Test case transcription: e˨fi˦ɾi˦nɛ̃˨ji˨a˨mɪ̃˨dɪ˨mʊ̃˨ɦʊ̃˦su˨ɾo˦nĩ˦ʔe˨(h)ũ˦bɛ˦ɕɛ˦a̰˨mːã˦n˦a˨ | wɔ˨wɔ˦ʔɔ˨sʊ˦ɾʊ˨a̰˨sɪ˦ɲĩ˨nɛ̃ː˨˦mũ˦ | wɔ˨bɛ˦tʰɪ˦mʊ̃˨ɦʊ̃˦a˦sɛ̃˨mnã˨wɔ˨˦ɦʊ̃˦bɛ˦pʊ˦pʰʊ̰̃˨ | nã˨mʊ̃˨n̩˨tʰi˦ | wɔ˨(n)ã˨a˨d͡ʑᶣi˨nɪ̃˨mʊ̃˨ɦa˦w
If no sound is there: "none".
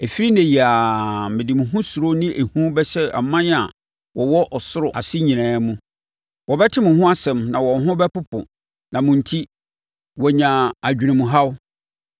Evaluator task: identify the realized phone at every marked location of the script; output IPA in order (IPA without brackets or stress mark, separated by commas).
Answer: h, ɲ